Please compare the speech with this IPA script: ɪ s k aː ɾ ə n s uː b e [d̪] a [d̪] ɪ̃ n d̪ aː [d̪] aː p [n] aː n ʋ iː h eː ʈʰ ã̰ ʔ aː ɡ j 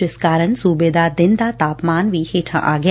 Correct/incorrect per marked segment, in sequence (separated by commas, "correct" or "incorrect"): correct, correct, incorrect, incorrect